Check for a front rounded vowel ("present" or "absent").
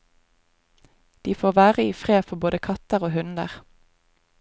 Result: absent